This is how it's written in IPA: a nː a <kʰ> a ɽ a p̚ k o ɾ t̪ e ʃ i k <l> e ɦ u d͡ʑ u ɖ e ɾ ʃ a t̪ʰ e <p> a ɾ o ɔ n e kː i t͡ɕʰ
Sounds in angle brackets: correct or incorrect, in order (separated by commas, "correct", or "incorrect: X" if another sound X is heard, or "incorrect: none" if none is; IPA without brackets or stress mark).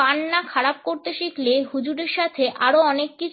correct, correct, incorrect: ʔ